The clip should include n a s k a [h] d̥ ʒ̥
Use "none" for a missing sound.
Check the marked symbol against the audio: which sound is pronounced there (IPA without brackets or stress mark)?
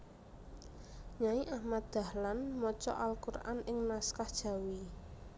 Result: h